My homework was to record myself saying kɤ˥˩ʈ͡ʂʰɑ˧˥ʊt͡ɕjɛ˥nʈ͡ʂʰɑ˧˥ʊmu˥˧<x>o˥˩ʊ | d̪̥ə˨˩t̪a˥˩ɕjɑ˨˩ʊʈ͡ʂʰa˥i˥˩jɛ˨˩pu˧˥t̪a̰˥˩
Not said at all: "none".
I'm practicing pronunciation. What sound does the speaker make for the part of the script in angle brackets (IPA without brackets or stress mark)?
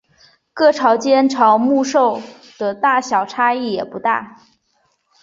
ʂ